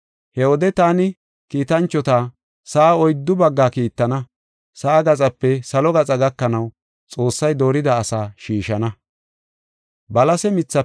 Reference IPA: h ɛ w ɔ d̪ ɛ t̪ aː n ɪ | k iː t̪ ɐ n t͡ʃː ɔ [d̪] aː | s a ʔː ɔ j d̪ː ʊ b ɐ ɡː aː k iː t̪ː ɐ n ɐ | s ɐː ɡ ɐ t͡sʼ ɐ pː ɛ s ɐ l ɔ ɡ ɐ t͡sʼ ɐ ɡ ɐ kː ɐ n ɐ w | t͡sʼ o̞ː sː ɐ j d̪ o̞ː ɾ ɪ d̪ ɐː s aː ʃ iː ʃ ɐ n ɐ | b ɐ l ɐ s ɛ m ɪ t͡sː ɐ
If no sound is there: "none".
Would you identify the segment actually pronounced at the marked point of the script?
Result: t̪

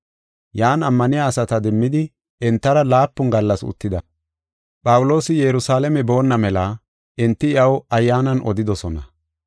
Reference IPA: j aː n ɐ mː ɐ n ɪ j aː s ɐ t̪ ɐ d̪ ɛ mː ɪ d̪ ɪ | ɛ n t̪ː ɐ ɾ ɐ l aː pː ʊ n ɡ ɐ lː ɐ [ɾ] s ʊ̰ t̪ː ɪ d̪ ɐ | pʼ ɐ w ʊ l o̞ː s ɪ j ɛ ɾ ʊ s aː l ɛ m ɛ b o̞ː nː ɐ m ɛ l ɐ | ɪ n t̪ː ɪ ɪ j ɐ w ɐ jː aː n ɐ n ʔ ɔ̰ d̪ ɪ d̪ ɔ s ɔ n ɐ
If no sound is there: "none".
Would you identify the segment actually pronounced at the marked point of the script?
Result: none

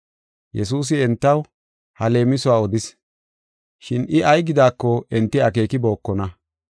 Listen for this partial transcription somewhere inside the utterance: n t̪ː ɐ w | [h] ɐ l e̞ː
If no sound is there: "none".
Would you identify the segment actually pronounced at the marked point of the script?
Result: h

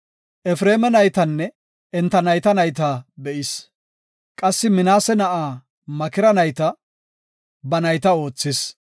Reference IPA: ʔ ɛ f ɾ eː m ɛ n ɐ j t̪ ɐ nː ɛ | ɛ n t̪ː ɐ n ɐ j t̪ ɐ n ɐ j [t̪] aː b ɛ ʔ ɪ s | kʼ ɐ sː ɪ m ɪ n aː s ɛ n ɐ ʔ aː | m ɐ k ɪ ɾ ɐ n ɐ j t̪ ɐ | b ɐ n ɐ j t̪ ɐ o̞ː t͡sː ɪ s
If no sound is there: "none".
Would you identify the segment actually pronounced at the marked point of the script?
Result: t̪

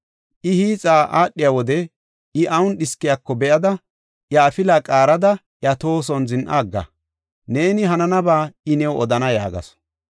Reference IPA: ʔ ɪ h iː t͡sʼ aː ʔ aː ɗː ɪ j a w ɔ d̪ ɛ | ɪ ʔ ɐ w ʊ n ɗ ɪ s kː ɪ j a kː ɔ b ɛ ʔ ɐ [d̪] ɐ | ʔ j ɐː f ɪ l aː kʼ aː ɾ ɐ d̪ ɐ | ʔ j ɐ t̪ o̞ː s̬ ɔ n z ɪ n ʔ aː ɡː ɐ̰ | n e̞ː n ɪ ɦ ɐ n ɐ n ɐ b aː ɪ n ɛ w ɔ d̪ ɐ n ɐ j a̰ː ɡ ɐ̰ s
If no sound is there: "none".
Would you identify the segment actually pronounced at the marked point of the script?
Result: d̪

